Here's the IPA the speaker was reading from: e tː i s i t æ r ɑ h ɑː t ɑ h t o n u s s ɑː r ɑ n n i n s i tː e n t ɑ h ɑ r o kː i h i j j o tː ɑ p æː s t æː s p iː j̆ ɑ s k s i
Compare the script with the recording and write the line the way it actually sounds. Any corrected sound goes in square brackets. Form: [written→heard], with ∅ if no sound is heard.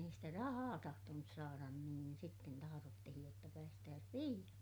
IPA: e [tː→∅] i s i t æ r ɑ h ɑː t ɑ h t o n u s s ɑː r ɑ n n [i→iː] n s i tː e n t ɑ h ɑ r o [kː→tː] i h i j j o tː ɑ p æː s t æː s p iː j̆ ɑ [s→∅] k s i